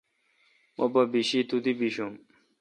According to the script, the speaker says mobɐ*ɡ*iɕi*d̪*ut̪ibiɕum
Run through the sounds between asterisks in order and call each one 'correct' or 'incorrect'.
incorrect, incorrect

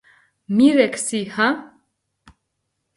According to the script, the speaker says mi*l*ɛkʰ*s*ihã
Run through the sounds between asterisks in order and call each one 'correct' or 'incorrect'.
incorrect, correct

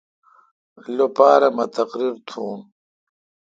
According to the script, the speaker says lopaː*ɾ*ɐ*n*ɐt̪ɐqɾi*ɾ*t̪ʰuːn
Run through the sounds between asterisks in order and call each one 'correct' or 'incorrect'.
correct, incorrect, correct

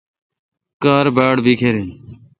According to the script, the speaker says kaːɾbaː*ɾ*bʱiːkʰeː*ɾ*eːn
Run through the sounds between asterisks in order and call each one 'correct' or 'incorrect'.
incorrect, correct

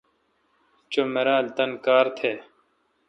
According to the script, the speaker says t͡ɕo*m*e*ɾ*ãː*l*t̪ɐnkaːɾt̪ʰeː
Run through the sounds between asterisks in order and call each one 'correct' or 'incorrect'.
correct, correct, correct

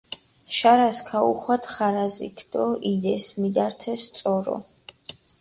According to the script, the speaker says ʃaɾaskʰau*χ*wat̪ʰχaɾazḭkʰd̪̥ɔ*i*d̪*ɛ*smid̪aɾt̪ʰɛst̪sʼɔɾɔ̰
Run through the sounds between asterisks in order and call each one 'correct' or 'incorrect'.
correct, correct, correct

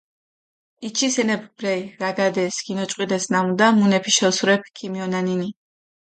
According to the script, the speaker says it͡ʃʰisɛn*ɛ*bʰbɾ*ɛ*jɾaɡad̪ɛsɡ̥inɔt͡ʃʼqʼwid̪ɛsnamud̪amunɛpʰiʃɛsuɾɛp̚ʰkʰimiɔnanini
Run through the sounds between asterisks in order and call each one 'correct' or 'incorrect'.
correct, correct

